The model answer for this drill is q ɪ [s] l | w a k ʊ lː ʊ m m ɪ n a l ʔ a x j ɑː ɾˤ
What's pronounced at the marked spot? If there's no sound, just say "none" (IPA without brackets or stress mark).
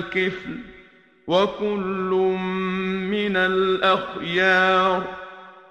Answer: f